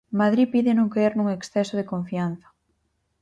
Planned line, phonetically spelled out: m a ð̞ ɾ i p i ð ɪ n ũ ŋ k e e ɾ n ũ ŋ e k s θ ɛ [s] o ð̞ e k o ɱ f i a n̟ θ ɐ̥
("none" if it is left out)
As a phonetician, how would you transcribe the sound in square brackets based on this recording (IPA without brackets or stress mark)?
s